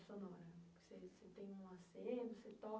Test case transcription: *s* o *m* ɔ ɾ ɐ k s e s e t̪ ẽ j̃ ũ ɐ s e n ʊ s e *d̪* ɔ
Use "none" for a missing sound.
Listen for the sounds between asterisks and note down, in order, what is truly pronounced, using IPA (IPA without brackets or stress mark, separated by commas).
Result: s, n, t̪